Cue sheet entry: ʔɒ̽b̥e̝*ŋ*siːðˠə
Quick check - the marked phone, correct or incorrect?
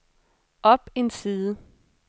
incorrect